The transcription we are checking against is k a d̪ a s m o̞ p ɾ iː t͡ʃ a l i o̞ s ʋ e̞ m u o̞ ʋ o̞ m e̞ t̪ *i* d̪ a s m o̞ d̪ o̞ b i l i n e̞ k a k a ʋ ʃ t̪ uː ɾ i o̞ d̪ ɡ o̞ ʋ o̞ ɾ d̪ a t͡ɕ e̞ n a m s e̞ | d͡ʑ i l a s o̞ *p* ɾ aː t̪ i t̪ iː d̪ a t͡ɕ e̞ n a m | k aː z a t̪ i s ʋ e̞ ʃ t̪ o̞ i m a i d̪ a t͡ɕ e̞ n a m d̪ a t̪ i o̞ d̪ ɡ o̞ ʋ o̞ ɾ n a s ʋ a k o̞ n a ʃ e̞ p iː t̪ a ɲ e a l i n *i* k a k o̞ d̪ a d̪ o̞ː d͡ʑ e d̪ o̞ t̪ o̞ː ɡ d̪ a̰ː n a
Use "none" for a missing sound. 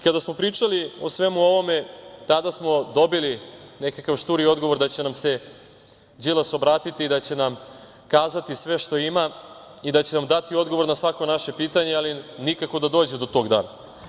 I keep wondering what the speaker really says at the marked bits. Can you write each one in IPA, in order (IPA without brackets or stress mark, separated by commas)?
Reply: a, b, i